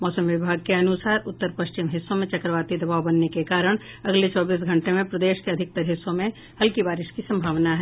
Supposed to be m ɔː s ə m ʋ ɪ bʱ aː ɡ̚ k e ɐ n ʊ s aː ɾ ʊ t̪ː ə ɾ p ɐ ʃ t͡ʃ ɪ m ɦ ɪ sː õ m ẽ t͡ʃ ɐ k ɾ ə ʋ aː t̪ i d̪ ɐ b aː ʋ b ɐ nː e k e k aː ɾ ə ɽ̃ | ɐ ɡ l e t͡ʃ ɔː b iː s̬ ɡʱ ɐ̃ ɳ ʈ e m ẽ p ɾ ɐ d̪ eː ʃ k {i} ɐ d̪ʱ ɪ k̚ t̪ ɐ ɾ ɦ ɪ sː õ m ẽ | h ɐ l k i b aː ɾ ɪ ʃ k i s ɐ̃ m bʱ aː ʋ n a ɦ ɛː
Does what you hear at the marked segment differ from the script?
yes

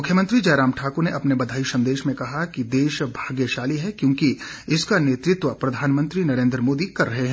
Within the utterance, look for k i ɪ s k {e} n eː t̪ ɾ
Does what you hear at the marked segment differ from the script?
yes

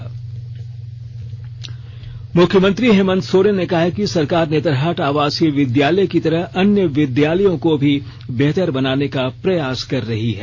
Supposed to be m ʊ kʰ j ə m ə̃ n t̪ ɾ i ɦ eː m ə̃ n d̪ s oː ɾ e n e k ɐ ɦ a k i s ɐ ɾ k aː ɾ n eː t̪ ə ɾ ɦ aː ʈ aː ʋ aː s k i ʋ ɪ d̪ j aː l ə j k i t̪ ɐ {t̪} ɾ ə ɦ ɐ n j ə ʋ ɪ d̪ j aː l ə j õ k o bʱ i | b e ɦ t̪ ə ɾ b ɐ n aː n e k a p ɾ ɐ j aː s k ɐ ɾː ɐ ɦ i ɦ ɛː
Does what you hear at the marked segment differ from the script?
yes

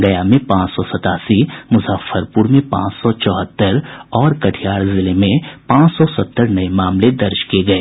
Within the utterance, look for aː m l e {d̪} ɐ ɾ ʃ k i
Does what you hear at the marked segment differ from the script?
no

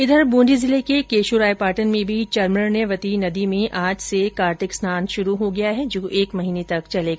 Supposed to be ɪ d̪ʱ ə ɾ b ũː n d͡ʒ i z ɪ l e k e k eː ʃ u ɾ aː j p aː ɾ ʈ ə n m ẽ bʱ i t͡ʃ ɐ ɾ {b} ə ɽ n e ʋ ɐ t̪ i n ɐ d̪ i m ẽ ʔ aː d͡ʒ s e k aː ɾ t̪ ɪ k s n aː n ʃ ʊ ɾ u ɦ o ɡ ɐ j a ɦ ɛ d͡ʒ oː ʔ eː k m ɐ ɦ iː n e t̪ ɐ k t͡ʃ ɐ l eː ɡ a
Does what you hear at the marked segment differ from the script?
yes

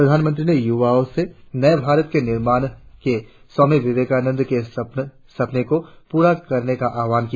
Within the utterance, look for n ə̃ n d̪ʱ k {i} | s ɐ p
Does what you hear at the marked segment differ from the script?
yes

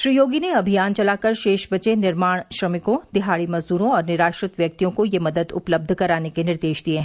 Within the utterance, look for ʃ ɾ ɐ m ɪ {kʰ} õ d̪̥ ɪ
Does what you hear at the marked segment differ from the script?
yes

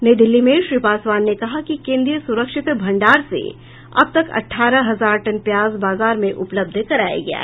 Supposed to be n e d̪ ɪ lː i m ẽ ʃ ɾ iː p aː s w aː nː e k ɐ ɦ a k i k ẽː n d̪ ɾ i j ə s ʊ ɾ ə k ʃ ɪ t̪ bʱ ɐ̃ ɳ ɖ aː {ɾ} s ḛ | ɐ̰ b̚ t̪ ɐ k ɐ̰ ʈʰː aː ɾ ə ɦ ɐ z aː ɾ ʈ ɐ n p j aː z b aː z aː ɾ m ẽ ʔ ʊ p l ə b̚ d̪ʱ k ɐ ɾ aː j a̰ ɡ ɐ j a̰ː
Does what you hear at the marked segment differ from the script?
no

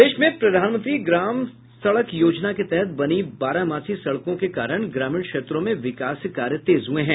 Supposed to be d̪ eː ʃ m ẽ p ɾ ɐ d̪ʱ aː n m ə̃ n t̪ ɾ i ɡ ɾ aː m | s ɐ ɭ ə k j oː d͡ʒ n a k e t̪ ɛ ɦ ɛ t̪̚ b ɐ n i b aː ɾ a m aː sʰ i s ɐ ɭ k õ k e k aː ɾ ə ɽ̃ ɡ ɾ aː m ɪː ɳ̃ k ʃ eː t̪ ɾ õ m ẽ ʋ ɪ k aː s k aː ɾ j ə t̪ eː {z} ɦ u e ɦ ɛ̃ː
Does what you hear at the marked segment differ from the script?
no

